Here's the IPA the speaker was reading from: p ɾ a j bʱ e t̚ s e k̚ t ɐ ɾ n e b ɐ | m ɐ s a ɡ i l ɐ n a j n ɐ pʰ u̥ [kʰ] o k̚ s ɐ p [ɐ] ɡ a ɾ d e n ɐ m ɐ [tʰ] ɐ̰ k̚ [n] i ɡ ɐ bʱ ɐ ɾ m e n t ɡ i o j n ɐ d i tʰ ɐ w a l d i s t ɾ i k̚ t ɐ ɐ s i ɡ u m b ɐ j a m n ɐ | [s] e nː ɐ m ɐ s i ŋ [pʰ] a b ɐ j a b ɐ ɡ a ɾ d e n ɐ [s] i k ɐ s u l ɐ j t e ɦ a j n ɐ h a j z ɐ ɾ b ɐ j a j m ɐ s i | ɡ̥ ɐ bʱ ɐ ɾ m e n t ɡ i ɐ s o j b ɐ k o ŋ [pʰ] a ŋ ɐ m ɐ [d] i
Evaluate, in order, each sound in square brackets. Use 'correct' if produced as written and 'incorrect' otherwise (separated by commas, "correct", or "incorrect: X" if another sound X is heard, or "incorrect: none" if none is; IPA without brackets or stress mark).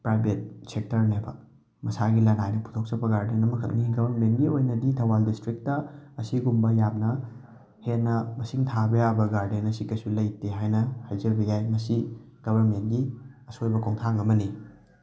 incorrect: tʰ, correct, incorrect: kʰ, correct, incorrect: h, incorrect: tʰ, correct, incorrect: tʰ, incorrect: n